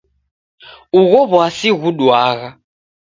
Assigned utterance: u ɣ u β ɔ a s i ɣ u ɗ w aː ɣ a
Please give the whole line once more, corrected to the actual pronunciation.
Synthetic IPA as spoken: u ɣ ɔ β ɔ a s i ɣ u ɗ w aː ɣ a